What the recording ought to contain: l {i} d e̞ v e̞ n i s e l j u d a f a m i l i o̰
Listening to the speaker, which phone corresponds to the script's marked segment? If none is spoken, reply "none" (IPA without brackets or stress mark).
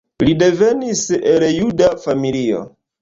i